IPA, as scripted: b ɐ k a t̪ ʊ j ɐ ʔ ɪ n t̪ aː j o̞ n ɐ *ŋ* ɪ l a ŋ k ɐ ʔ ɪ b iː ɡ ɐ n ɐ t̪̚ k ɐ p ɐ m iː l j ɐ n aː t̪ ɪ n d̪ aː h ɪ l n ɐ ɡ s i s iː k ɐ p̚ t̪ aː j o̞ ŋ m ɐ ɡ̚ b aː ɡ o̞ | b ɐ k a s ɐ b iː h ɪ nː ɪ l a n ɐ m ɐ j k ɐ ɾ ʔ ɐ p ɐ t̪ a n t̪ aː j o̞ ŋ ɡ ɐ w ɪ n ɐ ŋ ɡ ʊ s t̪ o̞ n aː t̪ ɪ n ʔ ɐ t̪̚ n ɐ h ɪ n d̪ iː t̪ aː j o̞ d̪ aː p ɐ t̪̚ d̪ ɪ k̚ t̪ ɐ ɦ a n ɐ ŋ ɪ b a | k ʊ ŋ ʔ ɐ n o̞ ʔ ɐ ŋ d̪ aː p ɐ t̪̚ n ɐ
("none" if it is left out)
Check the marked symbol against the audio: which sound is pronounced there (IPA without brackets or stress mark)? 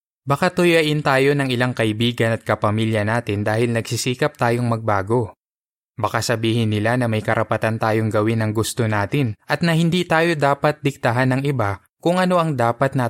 ŋ